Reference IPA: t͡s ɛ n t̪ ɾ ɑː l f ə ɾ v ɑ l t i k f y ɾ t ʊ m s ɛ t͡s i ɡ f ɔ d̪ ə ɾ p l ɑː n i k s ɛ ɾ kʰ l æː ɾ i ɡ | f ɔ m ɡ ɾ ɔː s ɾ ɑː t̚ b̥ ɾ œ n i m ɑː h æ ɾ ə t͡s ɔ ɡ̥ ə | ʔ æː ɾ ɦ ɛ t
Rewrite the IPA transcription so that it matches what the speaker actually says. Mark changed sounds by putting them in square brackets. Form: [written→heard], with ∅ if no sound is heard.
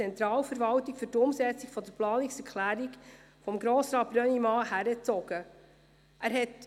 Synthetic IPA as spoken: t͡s ɛ n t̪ ɾ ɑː l f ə ɾ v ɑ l t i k f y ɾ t ʊ m s ɛ t͡s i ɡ f ɔ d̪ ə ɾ p l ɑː n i k s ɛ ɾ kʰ l æː ɾ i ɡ | f ɔ m ɡ ɾ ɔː s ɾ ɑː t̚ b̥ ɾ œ n i m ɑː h æ ɾ ə t͡s ɔ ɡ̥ ə | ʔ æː ɾ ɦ ɛ t

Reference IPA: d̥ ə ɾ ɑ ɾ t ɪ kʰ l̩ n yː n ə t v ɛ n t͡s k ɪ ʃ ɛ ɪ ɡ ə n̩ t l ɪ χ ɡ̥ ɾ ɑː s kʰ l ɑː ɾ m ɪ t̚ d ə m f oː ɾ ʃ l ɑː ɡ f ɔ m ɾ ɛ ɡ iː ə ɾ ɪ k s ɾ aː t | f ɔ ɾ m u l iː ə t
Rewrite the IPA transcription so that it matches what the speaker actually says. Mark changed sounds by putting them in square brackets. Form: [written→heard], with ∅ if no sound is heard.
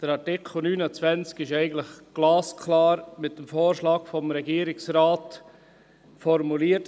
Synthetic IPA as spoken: d̥ ə ɾ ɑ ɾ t ɪ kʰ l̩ n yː n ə [t→t͡s] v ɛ n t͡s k ɪ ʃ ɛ ɪ ɡ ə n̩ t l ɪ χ ɡ̥ [ɾ→l] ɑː s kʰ l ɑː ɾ m ɪ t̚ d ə m f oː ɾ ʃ l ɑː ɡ f ɔ m ɾ ɛ ɡ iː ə ɾ ɪ k s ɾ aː t | f ɔ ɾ m u l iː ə t

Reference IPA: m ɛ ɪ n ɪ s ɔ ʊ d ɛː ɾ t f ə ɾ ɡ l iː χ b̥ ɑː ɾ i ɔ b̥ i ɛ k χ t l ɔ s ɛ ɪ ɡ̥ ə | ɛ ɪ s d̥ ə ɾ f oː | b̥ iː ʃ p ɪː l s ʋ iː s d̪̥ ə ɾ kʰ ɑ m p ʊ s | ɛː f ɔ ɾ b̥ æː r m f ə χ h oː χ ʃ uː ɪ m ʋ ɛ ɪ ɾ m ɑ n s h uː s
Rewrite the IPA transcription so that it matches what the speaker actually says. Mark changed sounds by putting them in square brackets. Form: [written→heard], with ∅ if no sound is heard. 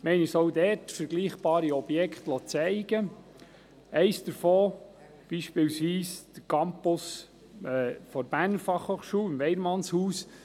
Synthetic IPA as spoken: m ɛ ɪ n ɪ s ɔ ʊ d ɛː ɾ t f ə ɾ ɡ l iː χ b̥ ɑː ɾ i ɔ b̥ [i→j] ɛ k χ t l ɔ [s→t͡s] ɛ ɪ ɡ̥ ə | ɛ ɪ s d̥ ə ɾ f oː | b̥ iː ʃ p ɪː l s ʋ iː s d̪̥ ə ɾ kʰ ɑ m p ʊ s | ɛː f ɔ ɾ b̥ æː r [m→n] f [ə→ɑ] χ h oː χ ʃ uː ɪ m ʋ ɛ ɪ ɾ m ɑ n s h uː s

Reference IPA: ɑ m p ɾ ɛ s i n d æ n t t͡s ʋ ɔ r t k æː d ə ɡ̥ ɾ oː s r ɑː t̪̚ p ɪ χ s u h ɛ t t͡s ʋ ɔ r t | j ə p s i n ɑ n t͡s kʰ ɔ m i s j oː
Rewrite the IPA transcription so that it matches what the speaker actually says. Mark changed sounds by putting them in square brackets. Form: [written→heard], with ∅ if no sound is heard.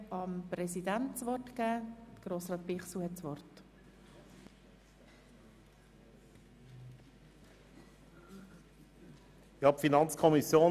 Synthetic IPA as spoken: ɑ m p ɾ ɛ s i [n→∅] d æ n t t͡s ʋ ɔ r t k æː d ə ɡ̥ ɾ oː s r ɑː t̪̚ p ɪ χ s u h ɛ t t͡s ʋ ɔ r t | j [ə→ɑ] p [s→f] i n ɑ n t͡s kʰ ɔ m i s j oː

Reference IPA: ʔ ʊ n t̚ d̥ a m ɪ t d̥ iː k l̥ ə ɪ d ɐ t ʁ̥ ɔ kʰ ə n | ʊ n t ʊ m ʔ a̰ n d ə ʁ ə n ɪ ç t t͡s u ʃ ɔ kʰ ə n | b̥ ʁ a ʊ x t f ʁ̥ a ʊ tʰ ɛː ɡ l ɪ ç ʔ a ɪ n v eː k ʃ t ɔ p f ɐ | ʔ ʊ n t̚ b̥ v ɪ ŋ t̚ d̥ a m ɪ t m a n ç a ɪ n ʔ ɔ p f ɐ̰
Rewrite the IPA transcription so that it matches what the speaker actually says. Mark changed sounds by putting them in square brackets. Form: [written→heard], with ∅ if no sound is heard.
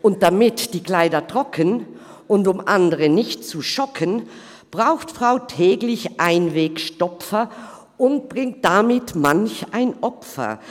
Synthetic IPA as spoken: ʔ ʊ n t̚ d̥ a m ɪ t d̥ iː k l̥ [ə→a] ɪ d ɐ t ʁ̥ ɔ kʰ ə n | ʊ n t ʊ m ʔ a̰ n d ə ʁ ə n ɪ ç t t͡s u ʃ ɔ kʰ ə n | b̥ ʁ a ʊ x t f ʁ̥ a ʊ tʰ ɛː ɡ l ɪ ç ʔ a ɪ n v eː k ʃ t ɔ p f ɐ | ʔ ʊ n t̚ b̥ [v→ʁ] ɪ ŋ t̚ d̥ a m ɪ t m a n ç a ɪ n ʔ ɔ p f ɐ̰

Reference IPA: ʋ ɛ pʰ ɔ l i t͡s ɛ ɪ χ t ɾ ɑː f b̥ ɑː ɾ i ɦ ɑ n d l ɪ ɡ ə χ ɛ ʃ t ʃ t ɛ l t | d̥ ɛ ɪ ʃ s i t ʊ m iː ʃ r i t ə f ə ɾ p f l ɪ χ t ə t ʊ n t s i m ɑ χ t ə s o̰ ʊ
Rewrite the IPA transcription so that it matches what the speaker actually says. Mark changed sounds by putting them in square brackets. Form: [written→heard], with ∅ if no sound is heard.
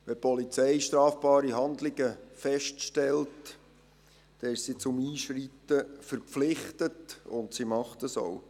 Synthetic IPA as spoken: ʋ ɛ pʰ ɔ l i t͡s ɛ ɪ [χ→ʃ] t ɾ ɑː f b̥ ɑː ɾ i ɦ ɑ n d l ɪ ɡ ə [χ→f] ɛ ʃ t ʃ t ɛ l t | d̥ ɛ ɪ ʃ s i [t→t͡s] ʊ m iː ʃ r i t ə f ə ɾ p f l ɪ χ t ə t ʊ n t s i m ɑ χ t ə s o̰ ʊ

